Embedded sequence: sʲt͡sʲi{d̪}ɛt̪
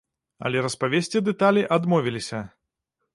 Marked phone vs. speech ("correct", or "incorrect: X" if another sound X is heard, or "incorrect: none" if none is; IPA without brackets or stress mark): correct